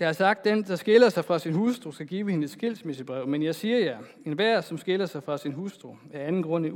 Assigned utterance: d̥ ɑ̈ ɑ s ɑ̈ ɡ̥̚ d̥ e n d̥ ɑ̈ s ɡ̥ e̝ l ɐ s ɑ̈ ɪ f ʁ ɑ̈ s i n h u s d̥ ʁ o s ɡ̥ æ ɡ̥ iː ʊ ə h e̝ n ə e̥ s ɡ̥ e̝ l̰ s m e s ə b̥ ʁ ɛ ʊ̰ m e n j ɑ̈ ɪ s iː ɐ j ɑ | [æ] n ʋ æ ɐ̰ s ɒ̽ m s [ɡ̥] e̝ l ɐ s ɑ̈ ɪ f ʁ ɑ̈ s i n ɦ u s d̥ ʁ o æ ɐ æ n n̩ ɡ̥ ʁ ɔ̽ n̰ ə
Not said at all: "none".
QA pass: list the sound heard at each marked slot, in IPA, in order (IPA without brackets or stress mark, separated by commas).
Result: e, ɡ̥